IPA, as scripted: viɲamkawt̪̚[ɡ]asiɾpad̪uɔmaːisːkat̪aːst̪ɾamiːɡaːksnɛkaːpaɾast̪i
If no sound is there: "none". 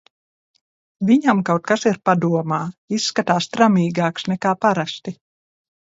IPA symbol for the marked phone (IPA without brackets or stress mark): k